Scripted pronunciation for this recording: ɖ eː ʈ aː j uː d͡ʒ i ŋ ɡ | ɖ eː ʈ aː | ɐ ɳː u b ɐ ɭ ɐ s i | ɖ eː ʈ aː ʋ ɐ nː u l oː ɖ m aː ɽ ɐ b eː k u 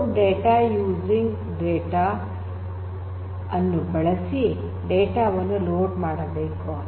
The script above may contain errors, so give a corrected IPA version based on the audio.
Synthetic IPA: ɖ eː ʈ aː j uː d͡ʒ i ŋ ɡ | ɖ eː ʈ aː | ɐ nː u b ɐ ɭ ɐ s i | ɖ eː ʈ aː ʋ ɐ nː u l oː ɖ m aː ɽ ɐ b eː k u